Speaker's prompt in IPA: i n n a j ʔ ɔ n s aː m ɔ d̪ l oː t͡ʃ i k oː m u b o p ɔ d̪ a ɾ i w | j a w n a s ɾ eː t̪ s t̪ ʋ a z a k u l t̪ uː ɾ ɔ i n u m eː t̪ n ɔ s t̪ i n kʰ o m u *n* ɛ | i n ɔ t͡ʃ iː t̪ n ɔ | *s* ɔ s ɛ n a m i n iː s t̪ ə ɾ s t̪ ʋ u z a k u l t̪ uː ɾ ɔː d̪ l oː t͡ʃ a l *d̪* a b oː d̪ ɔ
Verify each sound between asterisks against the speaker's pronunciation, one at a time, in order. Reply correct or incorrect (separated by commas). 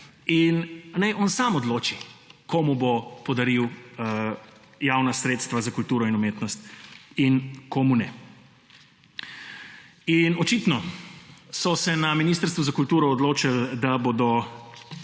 correct, correct, correct